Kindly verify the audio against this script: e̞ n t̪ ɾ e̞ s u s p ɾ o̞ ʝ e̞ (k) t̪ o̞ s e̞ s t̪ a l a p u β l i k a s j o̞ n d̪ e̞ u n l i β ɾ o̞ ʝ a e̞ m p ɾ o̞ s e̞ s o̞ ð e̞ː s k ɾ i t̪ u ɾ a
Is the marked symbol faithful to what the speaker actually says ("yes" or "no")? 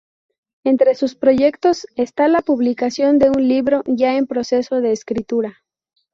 yes